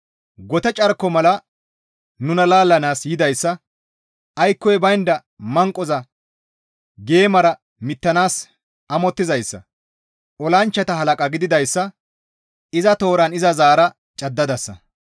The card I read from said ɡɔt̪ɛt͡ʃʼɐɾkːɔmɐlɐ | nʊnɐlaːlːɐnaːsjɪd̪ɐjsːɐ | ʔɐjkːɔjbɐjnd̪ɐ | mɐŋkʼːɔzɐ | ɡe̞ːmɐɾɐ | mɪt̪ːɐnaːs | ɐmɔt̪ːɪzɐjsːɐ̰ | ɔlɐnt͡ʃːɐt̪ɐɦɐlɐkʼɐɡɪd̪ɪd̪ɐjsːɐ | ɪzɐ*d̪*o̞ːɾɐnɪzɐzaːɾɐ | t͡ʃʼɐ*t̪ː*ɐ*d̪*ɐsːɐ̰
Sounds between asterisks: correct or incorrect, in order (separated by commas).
incorrect, incorrect, correct